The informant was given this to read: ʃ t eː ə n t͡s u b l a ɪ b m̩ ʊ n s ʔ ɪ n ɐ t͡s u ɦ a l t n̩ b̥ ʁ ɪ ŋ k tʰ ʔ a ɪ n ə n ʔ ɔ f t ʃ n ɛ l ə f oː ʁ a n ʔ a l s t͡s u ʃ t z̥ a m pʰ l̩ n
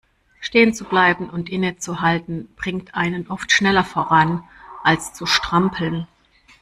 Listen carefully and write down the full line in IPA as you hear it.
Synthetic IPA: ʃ t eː ə n t͡s u b l a ɪ b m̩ ʊ n t ʔ ɪ n ə t͡s u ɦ a l t n̩ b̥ ʁ ɪ ŋ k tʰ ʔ a ɪ n ə n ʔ ɔ f t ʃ n ɛ l ɐ f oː ʁ a n ʔ a l s t͡s u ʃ t ʁ̥ a m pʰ l̩ n

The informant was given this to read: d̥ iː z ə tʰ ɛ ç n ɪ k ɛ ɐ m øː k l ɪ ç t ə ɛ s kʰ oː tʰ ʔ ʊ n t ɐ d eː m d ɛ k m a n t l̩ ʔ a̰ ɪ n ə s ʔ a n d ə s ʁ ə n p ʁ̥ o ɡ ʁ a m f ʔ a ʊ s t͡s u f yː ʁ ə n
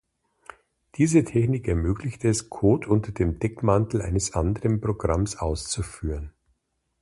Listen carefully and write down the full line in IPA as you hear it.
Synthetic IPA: d̥ iː z ə tʰ ɛ ç n ɪ k ɛ ɐ m øː k l ɪ ç t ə ɛ s kʰ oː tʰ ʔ ʊ n t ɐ d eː m d ɛ k m a n t l̩ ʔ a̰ ɪ n ə s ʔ a n d ə ʁ ə n p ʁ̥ o ɡ ʁ a m s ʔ a ʊ s t͡s u f yː ʁ ə n

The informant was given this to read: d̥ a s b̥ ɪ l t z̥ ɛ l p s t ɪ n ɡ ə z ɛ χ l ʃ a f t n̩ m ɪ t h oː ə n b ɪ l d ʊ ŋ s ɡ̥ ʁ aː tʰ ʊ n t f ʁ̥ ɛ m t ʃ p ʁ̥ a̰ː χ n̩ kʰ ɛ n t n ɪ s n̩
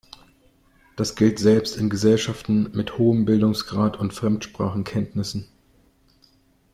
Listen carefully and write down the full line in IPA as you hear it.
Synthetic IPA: d̥ a s ɡ̥ ɪ l t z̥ ɛ l p s t ɪ n ɡ ə z ɛ l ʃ a f t n̩ m ɪ t h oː ə m b ɪ l d ʊ ŋ s ɡ̥ ʁ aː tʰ ʊ n t f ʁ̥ ɛ m t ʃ p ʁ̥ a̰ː χ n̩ kʰ ɛ n t n ɪ s n̩

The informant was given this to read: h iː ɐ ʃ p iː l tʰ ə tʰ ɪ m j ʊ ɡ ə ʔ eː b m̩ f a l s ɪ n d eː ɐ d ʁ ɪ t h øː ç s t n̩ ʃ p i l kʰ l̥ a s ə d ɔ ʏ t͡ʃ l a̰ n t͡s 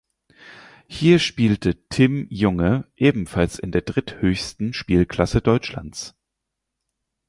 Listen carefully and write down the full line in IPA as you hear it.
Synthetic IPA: h iː ɐ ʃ p iː l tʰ ə tʰ ɪ m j ʊ ŋ ə ʔ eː b m̩ f a l s ɪ n d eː ɐ d ʁ ɪ t h øː ç s t n̩ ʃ p iː l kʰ l̥ a s ə d ɔ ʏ t͡ʃ l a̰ n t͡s

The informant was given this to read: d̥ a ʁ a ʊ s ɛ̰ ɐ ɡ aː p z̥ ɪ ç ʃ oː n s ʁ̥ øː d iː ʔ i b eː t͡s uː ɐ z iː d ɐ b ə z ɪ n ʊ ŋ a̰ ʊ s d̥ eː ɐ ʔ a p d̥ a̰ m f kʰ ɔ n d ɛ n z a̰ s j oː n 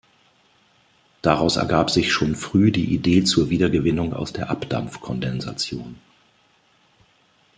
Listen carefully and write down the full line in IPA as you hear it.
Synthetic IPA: d̥ a ʁ a ʊ s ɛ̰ ɐ ɡ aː p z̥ ɪ ç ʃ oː n f ʁ̥ yː d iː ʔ i d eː t͡s uː ɐ v iː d ɐ ɡ ə v ɪ n ʊ ŋ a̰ ʊ s d̥ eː ɐ ʔ a p d̥ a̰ m f kʰ ɔ n d ɛ n z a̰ t͡s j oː n

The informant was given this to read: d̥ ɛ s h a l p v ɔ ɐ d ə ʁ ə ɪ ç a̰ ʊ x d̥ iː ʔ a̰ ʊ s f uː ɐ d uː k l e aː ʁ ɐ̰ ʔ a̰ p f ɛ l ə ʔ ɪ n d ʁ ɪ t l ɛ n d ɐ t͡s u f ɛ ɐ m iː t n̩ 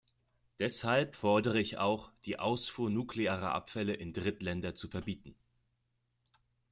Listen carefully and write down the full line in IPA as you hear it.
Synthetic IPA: d̥ ɛ s h a l p f ɔ ɐ d ə ʁ ə ɪ ç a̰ ʊ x d̥ iː ʔ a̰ ʊ s f uː ɐ n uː k l e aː ʁ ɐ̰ ʔ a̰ p f ɛ l ə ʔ ɪ n d ʁ ɪ t l ɛ n d ɐ t͡s u f ɛ ɐ b iː t n̩

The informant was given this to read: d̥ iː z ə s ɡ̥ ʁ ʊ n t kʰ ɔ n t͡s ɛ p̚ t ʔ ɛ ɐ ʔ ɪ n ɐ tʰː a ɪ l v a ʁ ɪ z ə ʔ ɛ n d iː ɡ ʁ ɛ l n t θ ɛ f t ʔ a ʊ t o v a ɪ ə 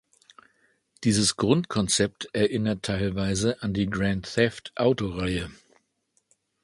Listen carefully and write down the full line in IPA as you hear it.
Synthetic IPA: d̥ iː z ə s ɡ̥ ʁ ʊ n t kʰ ɔ n t͡s ɛ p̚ t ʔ ɛ ɐ ʔ ɪ n ɐ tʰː a ɪ l v a ɪ z ə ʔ a n d iː ɡ ʁ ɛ n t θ ɛ f t ʔ a ʊ t o ʁ a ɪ ə

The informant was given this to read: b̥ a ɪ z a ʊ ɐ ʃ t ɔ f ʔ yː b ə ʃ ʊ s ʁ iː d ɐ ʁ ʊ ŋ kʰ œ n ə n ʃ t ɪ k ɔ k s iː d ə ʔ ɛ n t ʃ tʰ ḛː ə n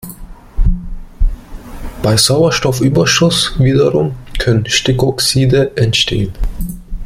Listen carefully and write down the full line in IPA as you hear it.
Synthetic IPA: b̥ a ɪ z a ʊ ɐ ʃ t ɔ f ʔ yː b ɐ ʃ ʊ s v iː d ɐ ʁ ʊ m kʰ œ n ə n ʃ t ɪ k ɔ k s iː d ə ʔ ɛ n t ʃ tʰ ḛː ə n

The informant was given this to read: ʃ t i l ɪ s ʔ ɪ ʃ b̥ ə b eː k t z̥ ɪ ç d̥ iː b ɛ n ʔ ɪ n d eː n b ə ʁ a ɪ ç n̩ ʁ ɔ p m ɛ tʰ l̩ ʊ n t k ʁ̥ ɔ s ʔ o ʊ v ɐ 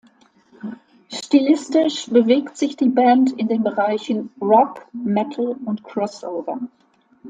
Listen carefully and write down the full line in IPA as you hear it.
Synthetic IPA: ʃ t i l ɪ s t ɪ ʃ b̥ ə v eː k t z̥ ɪ ç d̥ iː b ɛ n t ɪ n d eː n b ə ʁ a ɪ ç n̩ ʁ ɔ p m ɛ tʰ l̩ ʊ n t k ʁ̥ ɔ s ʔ o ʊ v ɐ

